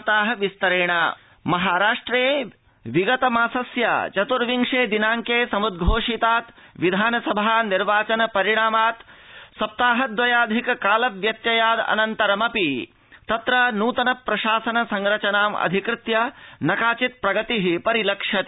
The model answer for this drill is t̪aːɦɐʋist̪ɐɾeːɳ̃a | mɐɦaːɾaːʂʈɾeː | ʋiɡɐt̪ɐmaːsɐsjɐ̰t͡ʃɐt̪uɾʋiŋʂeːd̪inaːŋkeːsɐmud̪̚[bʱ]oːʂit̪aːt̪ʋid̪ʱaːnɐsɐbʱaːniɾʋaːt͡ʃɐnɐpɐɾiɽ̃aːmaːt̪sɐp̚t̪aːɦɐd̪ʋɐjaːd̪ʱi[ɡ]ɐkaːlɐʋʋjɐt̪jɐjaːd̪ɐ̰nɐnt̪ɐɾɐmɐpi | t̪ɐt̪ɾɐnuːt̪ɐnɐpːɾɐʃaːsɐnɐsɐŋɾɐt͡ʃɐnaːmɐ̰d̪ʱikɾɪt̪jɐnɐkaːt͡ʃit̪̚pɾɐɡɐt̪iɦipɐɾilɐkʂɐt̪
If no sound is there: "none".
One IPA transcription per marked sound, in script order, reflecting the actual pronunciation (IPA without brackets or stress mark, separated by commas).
ɡʱ, k